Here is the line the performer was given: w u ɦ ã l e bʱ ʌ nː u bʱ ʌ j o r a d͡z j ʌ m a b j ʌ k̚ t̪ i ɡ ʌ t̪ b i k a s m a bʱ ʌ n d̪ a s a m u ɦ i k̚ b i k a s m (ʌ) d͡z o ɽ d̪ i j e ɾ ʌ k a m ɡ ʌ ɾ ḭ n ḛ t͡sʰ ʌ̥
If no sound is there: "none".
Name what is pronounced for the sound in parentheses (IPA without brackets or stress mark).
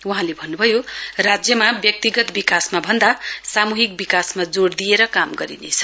a